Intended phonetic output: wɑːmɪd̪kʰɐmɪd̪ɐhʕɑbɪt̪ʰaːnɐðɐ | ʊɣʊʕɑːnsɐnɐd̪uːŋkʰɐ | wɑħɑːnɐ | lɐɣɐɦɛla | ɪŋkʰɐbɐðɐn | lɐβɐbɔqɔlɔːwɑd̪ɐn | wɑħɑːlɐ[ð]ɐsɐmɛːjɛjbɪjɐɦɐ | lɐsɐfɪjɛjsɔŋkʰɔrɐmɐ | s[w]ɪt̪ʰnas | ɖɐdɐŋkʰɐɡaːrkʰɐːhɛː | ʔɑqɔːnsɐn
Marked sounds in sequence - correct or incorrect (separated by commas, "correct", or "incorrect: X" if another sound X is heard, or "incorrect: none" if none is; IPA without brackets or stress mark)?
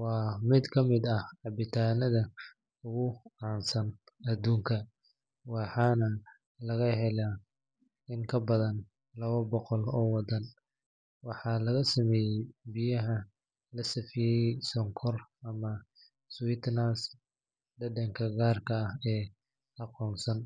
incorrect: ɣ, correct